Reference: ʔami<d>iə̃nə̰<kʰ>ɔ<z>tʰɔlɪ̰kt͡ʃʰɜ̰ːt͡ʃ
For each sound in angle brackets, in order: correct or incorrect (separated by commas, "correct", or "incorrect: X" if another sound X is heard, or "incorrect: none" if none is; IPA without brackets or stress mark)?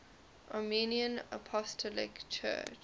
incorrect: n, incorrect: pʰ, incorrect: s